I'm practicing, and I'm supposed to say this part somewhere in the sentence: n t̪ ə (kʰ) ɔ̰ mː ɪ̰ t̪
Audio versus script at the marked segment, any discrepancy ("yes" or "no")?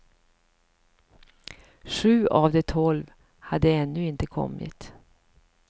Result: no